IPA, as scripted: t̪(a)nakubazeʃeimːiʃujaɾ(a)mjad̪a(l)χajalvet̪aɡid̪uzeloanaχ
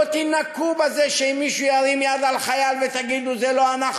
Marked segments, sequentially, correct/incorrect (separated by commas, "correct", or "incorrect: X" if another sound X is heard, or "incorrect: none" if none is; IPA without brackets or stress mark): incorrect: i, incorrect: i, correct